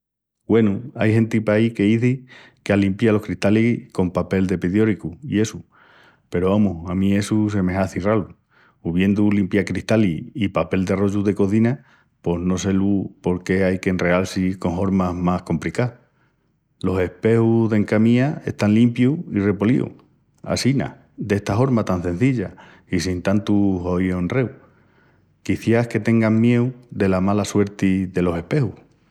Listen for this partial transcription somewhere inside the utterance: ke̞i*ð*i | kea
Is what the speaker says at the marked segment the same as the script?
no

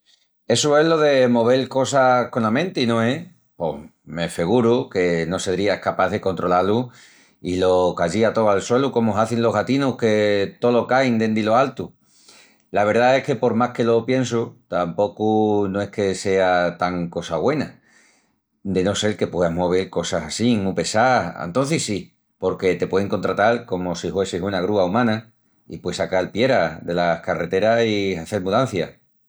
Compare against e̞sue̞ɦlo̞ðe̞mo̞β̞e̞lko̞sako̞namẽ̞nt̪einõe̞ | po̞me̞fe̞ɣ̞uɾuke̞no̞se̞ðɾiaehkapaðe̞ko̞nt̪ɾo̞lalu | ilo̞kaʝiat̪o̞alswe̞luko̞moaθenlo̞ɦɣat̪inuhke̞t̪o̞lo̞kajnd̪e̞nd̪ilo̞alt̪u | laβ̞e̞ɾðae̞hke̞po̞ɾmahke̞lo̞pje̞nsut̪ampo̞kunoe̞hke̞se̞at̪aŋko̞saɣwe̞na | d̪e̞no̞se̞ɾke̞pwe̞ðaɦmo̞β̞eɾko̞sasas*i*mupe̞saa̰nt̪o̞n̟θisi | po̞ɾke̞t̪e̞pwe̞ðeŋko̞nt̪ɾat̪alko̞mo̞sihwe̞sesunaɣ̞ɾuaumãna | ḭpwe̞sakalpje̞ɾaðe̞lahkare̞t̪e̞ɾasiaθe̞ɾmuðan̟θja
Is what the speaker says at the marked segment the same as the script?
yes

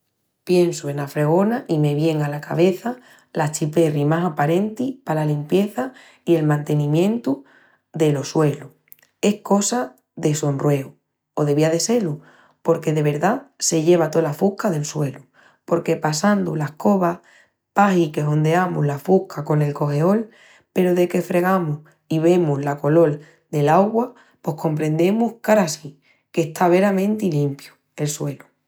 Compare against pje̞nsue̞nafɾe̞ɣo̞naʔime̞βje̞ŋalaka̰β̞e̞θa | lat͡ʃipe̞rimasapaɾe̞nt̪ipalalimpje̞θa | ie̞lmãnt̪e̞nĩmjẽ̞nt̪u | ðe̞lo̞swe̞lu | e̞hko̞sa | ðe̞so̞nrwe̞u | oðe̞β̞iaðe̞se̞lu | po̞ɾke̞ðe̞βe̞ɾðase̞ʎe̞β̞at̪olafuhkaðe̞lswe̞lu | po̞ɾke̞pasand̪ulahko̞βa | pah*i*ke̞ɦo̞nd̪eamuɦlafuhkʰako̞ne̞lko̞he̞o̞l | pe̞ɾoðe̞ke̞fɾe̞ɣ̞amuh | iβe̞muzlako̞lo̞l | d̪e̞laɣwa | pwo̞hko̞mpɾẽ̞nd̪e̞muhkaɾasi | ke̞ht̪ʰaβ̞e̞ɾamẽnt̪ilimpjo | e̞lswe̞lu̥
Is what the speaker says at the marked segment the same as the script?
yes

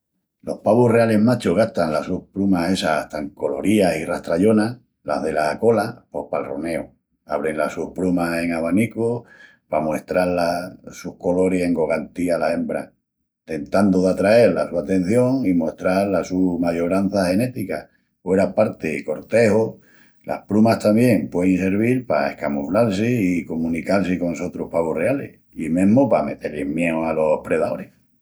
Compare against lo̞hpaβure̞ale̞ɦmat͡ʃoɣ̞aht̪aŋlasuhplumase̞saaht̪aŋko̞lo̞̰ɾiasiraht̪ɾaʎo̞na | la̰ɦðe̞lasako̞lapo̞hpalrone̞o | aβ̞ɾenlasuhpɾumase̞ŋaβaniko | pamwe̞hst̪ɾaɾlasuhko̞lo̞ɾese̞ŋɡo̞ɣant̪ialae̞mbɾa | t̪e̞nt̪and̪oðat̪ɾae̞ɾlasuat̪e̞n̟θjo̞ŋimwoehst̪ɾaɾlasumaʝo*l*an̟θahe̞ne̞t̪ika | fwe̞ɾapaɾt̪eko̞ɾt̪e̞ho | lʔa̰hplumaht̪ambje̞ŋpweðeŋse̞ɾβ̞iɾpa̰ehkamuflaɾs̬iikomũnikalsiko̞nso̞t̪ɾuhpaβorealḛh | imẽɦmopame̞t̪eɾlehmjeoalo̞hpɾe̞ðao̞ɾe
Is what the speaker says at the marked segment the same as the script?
no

